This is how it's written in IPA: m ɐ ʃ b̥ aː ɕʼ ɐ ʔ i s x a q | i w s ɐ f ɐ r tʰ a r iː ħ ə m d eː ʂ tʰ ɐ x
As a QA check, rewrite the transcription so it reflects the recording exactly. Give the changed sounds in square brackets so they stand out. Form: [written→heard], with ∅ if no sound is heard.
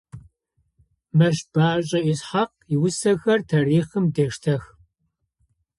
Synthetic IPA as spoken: m ɐ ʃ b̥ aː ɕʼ ɐ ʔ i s [x→ħ] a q | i w s ɐ [f→x] ɐ r tʰ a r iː [ħ→χ] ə m d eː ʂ tʰ ɐ x